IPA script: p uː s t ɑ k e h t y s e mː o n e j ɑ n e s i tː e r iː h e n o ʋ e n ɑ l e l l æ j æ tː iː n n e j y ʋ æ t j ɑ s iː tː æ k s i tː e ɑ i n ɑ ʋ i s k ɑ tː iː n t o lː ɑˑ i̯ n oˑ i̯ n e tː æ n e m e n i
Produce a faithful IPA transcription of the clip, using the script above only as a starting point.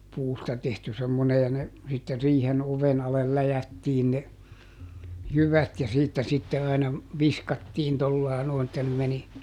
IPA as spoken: p uː s t ɑ t e h t y s e mː o n e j ɑ n e s i tː e r iː h e n o ʋ e n ɑ l e l l æ j æ tː iː n n e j y ʋ æ t j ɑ s iː tː æ s i tː e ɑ i n ɑ ʋ i s k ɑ tː iː n t o lː ɑˑ i̯ n oˑ i̯ n e tː æ n e m e n i